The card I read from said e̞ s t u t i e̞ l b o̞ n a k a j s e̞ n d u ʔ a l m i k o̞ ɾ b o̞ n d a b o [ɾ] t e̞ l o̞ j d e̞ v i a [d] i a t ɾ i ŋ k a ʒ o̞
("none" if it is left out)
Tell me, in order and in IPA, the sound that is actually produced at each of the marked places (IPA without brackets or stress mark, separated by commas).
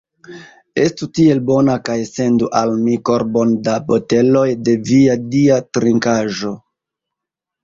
none, d